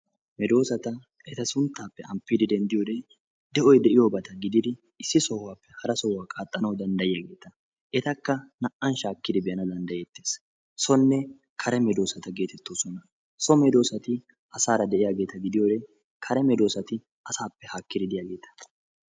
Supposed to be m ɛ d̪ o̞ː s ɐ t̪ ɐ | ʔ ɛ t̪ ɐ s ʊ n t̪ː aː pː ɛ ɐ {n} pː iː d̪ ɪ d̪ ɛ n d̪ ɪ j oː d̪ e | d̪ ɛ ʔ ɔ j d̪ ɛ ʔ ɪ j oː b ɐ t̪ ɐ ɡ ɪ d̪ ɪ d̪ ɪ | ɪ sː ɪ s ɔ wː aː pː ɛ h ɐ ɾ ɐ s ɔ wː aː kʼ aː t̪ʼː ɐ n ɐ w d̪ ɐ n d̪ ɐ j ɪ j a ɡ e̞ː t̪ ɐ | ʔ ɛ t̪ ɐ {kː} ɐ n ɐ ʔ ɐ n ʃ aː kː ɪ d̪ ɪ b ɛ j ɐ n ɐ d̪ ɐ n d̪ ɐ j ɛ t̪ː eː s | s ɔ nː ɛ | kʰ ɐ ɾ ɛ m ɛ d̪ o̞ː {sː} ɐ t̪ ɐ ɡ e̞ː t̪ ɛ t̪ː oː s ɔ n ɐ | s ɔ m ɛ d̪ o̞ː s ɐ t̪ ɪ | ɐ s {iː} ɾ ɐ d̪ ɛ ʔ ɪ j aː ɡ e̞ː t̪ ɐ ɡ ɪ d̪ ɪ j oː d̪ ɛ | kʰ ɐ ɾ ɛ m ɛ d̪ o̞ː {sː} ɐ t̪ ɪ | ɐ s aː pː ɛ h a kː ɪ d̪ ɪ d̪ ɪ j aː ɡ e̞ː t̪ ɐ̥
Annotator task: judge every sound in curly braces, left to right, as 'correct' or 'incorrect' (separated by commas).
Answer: incorrect, correct, incorrect, incorrect, incorrect